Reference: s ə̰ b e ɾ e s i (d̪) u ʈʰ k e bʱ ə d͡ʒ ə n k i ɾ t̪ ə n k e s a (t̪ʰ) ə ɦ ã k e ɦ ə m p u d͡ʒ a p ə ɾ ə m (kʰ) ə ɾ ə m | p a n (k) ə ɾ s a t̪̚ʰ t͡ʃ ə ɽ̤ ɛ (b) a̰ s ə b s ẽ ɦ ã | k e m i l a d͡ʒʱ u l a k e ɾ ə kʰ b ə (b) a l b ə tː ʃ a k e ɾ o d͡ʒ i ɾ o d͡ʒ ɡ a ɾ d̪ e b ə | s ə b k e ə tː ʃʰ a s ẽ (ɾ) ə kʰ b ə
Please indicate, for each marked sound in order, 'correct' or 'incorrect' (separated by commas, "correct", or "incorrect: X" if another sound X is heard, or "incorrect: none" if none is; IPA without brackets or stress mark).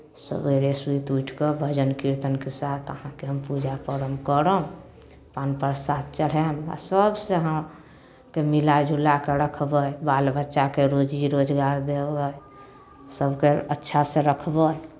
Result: incorrect: t̪, correct, incorrect: k, incorrect: p, incorrect: m, correct, correct